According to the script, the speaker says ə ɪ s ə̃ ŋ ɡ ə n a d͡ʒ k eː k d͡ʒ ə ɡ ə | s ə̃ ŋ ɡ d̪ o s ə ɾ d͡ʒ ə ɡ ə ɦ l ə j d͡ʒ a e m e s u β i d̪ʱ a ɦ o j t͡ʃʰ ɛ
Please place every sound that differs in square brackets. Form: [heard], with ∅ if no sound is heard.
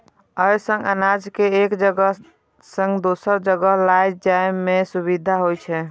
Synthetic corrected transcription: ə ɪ s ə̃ ŋ ɡ ə n a d͡ʒ k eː k d͡ʒ ə ɡ ə | s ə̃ ŋ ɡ d̪ o s ə ɾ d͡ʒ ə ɡ ə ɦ l [a] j d͡ʒ a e m e s u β i d̪ʱ a ɦ o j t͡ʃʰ ɛ